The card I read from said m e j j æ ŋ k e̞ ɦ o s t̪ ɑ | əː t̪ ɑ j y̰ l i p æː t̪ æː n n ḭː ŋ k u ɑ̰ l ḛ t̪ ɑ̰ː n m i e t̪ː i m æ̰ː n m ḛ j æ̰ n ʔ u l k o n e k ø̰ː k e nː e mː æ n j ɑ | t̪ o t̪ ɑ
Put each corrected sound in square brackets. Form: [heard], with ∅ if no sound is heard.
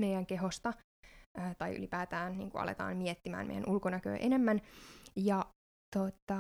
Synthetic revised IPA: m e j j æ ŋ k e̞ ɦ o s t̪ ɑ | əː t̪ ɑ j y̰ l i p æː t̪ æː n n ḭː ŋ k u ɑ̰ l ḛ t̪ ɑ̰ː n m i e t̪ː i m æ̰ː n m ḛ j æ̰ n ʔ u l k o n [æ] k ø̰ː [ʔ] e [n] e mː æ n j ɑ | t̪ o t̪ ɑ